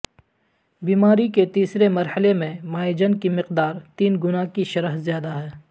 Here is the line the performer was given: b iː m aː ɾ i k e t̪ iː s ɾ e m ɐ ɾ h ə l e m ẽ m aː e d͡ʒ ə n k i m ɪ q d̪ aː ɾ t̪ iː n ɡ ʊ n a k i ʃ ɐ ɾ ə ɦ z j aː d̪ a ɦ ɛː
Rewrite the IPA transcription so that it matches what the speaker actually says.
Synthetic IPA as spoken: b iː m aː ɾ i k e t̪ iː s ɾ e m ɐ ɾ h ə l e m ẽ m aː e d͡ʒ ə n k i m ɪ q d̪ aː ɾ t̪ iː n ɡ ʊ n a k i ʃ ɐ ɾ ə ɦ z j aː d̪ a ɦ ɛː

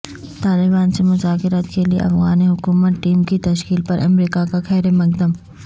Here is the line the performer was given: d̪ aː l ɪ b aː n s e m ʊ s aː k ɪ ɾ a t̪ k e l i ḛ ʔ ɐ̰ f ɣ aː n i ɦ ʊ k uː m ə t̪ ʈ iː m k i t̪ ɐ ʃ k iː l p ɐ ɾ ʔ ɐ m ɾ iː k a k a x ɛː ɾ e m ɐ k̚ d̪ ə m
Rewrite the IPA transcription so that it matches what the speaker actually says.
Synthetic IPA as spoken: t̪ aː l ɪ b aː n s e m ʊ z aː k ɪ ɾ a t̪ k e l i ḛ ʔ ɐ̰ f ɣ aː n i ɦ ʊ k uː m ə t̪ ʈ iː m k i t̪ ɐ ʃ k iː l p ɐ ɾ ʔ ɐ m ɾ iː k a k a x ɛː ɾ e m ɐ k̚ d̪ ə m

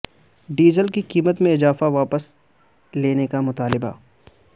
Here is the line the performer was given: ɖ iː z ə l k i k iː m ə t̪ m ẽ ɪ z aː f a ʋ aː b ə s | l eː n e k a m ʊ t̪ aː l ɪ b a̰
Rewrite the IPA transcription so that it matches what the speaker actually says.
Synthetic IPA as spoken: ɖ iː z ə l k i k iː m ə t̪ m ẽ ɪ z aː f a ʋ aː p ə s | l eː n e k a m ʊ t̪ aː l ɪ b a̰

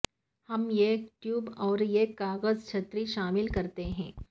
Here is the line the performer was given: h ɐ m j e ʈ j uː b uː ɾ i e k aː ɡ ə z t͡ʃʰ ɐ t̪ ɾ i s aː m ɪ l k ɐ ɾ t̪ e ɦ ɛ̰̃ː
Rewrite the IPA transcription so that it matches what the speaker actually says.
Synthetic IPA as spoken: h ɐ m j e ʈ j uː b ɔː ɾ j e k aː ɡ ə z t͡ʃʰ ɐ t̪ ɾ i ʃ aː m ɪ l k ɐ ɾ t̪ e ɦ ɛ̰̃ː

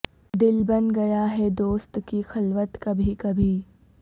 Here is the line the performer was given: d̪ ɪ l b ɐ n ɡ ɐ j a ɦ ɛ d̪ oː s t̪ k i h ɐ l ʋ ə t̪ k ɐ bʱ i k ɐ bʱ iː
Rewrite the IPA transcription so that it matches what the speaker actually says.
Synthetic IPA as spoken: d̪ ɪ l b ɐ n ɡ ɐ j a ɦ ɛ d̪ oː s t̪ k i x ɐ l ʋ ə t̪ k ɐ bʱ i k ɐ bʱ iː

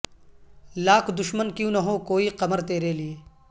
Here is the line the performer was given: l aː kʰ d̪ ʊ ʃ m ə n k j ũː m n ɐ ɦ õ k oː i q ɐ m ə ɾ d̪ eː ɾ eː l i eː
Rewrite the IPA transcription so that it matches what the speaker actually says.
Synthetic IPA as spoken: l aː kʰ d̪ ʊ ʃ m ə n k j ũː n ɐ ɦ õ k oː i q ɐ m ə ɾ t̪ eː ɾ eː l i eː

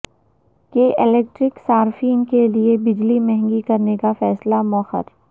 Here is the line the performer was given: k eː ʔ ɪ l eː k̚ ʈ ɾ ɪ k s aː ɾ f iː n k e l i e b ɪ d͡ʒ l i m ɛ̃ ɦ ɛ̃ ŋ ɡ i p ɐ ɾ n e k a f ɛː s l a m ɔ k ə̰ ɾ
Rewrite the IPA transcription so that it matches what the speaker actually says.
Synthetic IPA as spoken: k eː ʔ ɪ l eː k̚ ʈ ɾ ɪ k s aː ɾ f iː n k e l i e b ɪ d͡ʒ l i m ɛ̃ ɦ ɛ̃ ŋ ɡ i k ɐ ɾ n e k a f ɛː s l a m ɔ x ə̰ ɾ

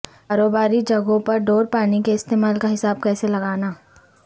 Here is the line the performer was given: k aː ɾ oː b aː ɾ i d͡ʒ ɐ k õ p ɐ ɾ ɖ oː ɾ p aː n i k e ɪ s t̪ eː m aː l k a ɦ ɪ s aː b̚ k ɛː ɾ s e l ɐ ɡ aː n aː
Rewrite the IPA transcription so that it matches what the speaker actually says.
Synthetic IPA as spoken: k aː ɾ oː b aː ɾ i d͡ʒ ɐ ɡ õ p ɐ ɾ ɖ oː ɾ p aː n i k e ɪ s t̪ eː m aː l k a ɦ ɪ s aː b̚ k ɛː s e l ɐ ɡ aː n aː

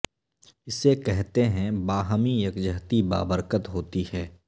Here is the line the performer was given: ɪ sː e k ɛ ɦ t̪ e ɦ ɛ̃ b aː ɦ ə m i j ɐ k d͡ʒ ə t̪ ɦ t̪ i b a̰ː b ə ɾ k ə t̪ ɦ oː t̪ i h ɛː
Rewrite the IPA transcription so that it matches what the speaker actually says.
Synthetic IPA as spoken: ɪ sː e k ɛ ɦ t̪ e ɦ ɛ̃ b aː ɦ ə m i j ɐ k d͡ʒ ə ɦ t̪ i b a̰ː b ə ɾ k ə t̪ ɦ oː t̪ i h ɛː

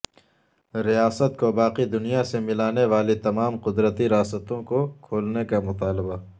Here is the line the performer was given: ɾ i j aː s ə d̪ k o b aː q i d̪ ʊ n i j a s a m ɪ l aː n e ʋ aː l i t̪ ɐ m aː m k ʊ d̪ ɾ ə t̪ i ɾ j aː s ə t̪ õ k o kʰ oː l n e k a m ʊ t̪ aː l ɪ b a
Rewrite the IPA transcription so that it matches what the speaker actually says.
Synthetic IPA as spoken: ɾ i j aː s ə t̪ k o b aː q i d̪ ʊ n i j a s e m ɪ l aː n e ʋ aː l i t̪ ɐ m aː m q ʊ d̪ ɾ ə t̪ i ɾ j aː s ə t̪ õ k o kʰ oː l n e k a m ʊ t̪ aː l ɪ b a

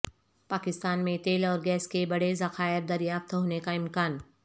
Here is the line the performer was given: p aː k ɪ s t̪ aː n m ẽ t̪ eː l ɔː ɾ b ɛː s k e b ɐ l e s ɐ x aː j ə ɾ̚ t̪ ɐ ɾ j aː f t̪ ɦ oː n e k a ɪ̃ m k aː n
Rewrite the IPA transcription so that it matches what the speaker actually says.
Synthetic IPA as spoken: p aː k ɪ s t̪ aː n m ẽ t̪ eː l ɔː ɾ ɡ ɛː s k e b ɐ ɽ e z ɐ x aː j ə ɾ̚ d̪ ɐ ɾ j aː f t̪ ɦ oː n e k a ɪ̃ m k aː n

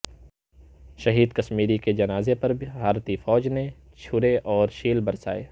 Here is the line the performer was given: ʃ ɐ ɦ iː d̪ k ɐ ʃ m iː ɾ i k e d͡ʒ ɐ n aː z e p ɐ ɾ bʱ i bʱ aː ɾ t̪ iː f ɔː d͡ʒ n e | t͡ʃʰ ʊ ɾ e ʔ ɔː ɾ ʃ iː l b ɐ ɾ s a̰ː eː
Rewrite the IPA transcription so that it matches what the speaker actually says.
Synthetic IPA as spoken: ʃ ɐ ɦ iː d̪ k ɐ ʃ m iː ɾ i k e d͡ʒ ɐ n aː z e p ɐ ɾ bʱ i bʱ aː ɾ t̪ i f ɔː d͡ʒ n e | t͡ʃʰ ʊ ɾ e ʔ ɔː ɾ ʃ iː l b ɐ ɾ s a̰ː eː

